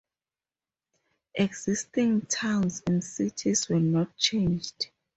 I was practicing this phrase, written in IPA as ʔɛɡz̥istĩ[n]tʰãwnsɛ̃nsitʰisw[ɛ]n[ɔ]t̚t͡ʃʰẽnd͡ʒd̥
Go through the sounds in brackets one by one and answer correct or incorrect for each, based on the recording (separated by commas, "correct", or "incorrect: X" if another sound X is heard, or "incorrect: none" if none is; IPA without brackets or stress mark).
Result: incorrect: ŋ, correct, correct